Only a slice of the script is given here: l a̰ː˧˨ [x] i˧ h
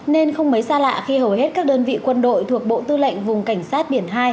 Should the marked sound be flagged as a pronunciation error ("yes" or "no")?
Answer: no